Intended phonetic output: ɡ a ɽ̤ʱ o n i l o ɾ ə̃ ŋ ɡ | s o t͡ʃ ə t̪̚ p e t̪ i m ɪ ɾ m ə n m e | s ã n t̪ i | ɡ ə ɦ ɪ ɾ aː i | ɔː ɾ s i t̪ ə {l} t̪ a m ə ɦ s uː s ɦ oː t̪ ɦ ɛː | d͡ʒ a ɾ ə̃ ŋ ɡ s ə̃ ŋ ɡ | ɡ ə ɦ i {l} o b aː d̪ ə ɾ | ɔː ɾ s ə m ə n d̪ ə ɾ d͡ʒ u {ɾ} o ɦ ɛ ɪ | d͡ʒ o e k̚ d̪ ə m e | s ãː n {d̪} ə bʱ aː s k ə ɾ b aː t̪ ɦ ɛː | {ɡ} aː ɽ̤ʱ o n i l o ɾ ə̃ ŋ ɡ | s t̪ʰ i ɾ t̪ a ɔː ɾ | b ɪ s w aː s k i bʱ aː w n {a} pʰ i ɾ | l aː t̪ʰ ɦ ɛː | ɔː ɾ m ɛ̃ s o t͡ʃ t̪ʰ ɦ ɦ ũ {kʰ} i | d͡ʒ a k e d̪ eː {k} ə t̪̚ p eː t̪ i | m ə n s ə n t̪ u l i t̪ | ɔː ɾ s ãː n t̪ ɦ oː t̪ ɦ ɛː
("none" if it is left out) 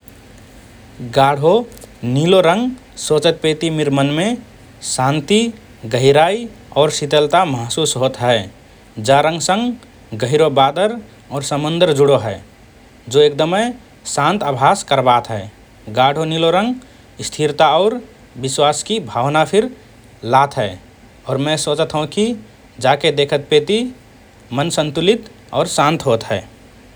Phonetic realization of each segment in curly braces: l, ɾ, ɽ, t̪, ɡ, a, k, kʰ

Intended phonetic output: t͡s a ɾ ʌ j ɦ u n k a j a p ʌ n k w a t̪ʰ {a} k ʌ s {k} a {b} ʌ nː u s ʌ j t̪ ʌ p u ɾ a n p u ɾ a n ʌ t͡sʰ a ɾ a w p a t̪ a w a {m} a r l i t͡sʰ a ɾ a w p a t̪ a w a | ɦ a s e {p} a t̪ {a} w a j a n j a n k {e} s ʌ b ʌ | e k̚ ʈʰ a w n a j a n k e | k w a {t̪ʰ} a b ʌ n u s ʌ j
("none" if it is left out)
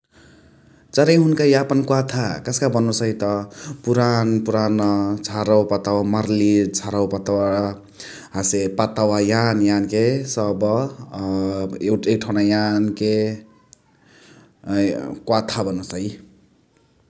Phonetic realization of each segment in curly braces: a, k, b, m, p, a, e, t̪ʰ

